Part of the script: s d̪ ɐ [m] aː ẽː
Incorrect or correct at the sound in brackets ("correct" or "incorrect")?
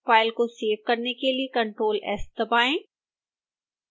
incorrect